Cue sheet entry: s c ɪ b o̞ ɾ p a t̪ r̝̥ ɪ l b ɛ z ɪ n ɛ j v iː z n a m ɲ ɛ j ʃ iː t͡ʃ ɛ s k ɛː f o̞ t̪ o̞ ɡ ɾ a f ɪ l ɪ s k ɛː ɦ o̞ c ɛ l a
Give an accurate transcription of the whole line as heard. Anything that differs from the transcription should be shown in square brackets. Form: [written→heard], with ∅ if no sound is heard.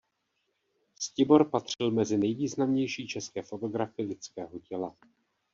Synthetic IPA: s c ɪ b o̞ ɾ p a t̪ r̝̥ ɪ l [b→m] ɛ z ɪ n ɛ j v iː z n a m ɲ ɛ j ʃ iː t͡ʃ ɛ s k ɛː f o̞ t̪ o̞ ɡ ɾ a f ɪ l ɪ [s→t͡s] k ɛː ɦ o̞ c ɛ l a